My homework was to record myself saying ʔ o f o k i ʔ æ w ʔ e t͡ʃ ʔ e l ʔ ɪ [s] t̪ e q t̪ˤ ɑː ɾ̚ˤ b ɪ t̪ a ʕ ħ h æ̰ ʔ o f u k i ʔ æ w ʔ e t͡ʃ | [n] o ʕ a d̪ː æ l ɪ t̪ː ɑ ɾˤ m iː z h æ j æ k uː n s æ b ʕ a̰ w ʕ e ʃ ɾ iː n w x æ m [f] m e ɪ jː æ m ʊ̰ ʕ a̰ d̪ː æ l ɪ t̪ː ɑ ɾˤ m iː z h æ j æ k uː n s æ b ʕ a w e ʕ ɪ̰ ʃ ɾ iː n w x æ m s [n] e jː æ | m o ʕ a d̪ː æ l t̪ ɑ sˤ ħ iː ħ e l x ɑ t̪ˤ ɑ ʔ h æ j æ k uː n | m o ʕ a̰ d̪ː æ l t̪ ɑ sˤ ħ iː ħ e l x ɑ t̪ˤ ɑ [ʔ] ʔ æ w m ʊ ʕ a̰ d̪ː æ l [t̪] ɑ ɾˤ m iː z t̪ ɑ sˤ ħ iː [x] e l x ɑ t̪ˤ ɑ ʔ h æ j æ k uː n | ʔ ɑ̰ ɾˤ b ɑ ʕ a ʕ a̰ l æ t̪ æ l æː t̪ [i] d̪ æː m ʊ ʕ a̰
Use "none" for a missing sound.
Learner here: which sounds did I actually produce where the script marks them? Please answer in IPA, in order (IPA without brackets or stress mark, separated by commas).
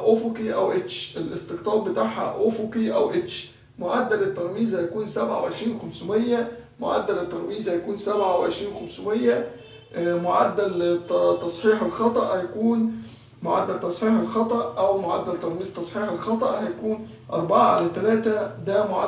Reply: s, m, s, m, ʔ, t̪, ħ, æ